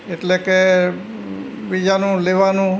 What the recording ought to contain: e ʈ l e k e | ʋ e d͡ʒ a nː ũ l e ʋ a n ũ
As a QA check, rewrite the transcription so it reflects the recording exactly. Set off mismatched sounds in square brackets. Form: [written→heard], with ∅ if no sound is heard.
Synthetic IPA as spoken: e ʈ l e k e | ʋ [e→i] d͡ʒ a [nː→n] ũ l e ʋ a n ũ